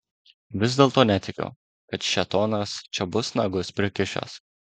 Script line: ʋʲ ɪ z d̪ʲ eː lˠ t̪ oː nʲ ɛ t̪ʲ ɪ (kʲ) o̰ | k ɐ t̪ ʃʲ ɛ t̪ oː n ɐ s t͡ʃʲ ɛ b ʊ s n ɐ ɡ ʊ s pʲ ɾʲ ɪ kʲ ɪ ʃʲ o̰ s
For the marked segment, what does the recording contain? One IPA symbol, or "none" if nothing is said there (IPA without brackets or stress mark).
kʲ